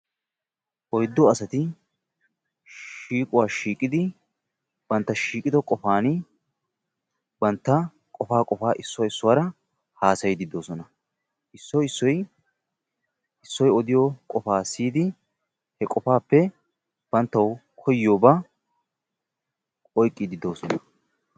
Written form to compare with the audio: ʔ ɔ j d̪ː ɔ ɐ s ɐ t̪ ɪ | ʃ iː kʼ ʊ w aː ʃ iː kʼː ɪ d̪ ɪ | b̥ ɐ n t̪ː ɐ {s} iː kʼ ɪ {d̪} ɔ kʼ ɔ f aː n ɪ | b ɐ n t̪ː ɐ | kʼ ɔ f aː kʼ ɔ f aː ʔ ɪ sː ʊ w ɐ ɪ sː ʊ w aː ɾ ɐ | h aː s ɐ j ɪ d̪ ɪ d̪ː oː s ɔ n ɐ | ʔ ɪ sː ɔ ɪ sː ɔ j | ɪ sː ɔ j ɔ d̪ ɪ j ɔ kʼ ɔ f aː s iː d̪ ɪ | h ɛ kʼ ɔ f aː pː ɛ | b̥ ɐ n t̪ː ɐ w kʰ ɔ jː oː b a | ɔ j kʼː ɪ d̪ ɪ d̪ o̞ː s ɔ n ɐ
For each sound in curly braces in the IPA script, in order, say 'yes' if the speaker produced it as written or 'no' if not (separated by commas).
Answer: no, yes